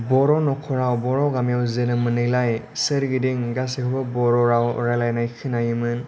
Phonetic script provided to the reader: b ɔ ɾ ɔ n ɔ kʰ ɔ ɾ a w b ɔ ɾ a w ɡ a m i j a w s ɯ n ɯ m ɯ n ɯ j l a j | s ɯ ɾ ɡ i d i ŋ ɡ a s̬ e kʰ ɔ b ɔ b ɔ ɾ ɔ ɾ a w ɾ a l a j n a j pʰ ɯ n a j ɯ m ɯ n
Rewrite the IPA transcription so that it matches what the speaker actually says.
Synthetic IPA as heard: b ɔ ɾ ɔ n ɔ kʰ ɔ ɾ a w b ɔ ɾ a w ɡ a m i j a w z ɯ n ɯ m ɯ n ɯ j l a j | s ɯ ɾ ɡ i d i ŋ ɡ a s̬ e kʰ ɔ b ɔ b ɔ ɾ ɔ ɾ a w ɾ a l a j n a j kʰ ɯ n a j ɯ m ɯ n